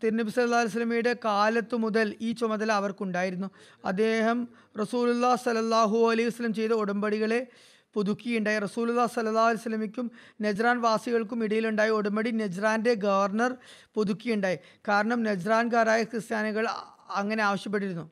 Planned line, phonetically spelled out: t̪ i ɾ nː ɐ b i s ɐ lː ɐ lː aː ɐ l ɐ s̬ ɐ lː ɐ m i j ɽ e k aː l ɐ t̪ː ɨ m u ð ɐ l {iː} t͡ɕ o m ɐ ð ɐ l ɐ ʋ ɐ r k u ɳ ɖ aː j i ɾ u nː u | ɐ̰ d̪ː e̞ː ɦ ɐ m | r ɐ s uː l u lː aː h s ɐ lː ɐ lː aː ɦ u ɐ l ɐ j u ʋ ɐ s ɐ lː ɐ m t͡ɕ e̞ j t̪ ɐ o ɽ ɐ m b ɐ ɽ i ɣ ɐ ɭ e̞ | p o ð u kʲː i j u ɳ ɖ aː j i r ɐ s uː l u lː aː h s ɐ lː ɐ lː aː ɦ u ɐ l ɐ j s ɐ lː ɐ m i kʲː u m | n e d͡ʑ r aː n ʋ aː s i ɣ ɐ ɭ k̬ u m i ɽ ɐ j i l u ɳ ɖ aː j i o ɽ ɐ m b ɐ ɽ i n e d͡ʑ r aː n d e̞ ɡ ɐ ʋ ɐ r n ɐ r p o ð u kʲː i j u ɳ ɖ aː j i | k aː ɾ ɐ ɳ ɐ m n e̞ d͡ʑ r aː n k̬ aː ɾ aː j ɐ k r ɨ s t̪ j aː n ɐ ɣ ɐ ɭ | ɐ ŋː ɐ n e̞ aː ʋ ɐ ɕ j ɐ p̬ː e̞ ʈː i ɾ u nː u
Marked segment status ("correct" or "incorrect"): correct